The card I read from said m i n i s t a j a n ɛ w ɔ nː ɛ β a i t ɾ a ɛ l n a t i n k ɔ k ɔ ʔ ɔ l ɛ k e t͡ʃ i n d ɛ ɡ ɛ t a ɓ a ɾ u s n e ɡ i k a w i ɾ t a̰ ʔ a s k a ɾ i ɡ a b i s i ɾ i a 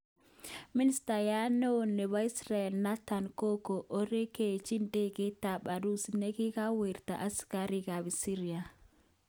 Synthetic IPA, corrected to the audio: m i n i s t a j a n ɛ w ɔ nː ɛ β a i s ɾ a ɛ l n a t a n k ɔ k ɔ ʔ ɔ ɾ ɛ k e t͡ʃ i n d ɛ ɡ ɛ t a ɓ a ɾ u s n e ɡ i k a w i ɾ t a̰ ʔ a s k a ɾ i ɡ a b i s i ɾ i a

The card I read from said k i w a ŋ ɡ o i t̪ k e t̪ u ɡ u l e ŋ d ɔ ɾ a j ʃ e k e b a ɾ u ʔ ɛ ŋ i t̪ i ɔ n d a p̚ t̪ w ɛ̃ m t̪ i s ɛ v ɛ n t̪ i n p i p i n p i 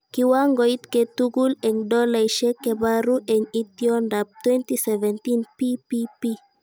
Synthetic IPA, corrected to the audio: k i w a ŋ ɡ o i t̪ k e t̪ u ɡ u l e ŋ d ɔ l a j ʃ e k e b a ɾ u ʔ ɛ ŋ i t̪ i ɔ n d a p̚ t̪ w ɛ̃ n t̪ i s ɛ v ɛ n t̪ i n p i p i p i

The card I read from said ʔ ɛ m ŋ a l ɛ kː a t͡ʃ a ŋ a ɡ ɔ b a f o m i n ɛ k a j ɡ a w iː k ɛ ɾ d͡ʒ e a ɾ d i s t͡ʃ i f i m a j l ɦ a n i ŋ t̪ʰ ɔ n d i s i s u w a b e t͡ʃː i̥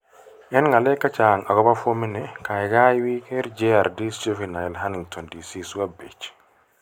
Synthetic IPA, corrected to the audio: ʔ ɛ n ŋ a l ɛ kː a t͡ʃ a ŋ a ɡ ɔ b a f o m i n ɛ k a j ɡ a w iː k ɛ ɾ d͡ʒ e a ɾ d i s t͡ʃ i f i n a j l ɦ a n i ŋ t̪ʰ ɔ n d i s i s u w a b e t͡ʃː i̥

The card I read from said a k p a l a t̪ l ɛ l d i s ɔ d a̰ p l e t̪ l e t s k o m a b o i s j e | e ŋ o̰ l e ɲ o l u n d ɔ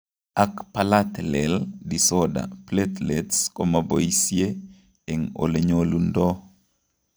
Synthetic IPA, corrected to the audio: a k p a l a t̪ l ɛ l d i s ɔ d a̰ p l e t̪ l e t s k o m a b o i s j e | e ŋ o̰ l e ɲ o l u n d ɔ

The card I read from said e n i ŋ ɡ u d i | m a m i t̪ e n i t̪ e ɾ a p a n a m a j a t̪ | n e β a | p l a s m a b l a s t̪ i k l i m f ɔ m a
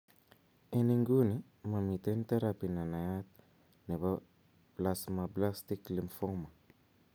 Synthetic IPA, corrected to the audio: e n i ŋ ɡ u n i | m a m i t̪ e n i t̪ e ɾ a p i n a n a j a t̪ | n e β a | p l a s m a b l a s t̪ i k l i m f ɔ m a

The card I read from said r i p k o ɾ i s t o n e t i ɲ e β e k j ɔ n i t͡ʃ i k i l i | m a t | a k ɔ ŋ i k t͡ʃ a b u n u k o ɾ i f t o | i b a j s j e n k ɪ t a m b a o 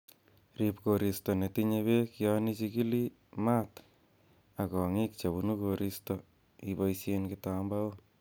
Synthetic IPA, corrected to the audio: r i p k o ɾ i s t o n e t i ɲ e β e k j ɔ n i t͡ʃ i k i l i | m a t | a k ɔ ŋ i k t͡ʃ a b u n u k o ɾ i s t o | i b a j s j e n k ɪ t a m b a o

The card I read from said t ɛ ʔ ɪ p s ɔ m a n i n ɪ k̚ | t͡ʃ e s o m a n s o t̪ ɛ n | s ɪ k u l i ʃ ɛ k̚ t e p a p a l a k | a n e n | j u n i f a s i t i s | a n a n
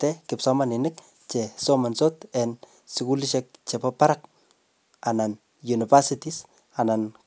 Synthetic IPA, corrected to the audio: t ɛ k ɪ p s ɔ m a n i n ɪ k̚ | t͡ʃ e s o m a n s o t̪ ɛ n | s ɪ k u l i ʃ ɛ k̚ t͡ʃ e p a p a ɾ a k | a n a n | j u n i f a s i t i s | a n a n

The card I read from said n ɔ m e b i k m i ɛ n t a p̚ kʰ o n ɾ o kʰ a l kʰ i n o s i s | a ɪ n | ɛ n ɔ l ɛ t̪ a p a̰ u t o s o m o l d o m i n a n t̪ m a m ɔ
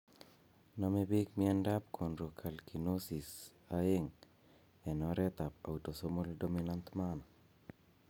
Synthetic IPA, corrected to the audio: n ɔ m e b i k m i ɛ n d a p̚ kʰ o n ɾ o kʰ a l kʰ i n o s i s | a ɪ ŋ | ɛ n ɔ ɾ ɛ t̪ a p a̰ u t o s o m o l d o m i n a n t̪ m a n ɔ

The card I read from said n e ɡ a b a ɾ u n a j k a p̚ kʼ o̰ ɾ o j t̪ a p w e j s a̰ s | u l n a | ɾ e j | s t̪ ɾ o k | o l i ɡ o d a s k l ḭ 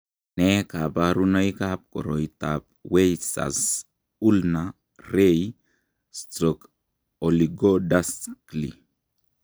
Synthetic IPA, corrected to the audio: n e k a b a ɾ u n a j k a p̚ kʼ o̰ ɾ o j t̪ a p w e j s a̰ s | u l n a | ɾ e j | s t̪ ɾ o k | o l i ɡ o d a s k l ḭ

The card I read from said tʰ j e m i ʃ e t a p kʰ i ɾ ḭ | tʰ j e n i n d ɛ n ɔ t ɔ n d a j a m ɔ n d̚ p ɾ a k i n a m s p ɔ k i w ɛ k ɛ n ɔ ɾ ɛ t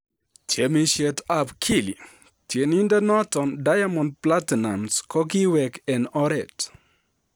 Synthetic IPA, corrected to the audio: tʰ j e m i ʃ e t a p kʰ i l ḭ | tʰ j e n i n d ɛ n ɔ t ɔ n d a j a m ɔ n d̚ p l a t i n a m s k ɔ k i w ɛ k ɛ n ɔ ɾ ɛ t

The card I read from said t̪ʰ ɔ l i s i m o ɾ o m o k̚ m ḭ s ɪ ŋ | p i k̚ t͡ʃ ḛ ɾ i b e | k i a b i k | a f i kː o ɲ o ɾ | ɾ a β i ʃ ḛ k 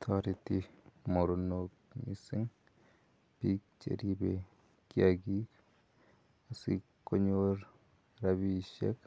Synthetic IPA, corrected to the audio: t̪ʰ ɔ ɾ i t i m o ɾ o n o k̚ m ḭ s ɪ ŋ | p i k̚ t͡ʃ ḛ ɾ i b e | k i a ɡ i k | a s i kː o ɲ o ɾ | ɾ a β i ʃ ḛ k

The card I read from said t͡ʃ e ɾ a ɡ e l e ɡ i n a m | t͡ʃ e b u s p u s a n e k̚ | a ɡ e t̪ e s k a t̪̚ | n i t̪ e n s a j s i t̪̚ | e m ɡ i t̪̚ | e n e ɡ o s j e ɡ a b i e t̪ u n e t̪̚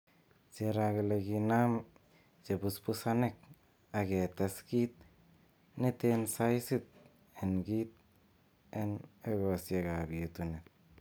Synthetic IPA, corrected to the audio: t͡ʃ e ɾ a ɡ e l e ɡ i n a m | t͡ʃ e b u s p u s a n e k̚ | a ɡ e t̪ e s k i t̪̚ | n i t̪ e n s a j s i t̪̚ | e n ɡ i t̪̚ | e n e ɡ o s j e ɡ a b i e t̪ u n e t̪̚

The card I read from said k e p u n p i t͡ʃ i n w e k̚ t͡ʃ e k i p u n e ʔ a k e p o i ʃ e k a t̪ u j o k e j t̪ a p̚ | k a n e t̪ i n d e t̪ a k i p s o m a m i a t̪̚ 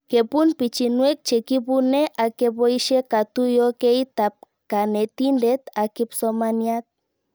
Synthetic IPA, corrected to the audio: k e p u n p i t͡ʃ i n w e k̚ t͡ʃ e k i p u n e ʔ a k e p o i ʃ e k a t̪ u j o k e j t̪ a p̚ | k a n e t̪ i n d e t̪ a k i p s o m a n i a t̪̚

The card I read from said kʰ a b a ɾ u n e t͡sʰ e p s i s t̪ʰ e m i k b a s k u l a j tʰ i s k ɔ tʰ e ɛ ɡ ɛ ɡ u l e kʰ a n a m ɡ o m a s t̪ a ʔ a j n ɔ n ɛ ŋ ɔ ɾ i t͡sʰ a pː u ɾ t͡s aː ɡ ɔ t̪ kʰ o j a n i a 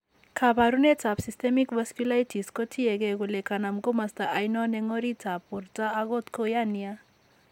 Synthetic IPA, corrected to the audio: kʰ a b a ɾ u n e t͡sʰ a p s i s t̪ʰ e m i k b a s k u l a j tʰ i s k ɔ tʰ i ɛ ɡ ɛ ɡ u l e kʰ a n a m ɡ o m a s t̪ a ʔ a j n ɔ n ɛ ŋ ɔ ɾ i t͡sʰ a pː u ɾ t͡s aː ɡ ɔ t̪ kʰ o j a n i a

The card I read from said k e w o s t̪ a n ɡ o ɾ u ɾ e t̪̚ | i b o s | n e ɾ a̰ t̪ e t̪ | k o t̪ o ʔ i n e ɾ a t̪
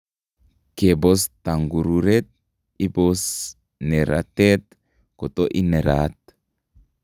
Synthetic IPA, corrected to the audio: k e b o s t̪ a ŋ ɡ u ɾ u ɾ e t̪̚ | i b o s | n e ɾ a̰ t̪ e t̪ | k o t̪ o ʔ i n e ɾ a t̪

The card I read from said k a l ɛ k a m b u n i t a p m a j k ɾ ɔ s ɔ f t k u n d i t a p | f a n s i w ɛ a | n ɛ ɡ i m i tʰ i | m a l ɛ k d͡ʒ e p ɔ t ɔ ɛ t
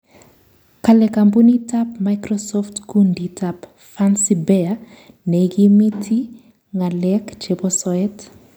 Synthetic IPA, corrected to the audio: k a l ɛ k a m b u n i t a p m a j k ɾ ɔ s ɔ f t k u n d i t a p | f a n s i b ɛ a | n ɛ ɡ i m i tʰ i | ŋ a l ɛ k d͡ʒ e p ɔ s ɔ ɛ t

